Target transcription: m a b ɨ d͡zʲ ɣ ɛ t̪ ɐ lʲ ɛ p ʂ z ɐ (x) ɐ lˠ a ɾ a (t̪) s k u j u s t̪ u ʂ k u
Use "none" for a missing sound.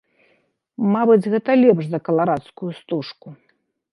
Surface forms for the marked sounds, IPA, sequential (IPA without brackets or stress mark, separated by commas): k, t̪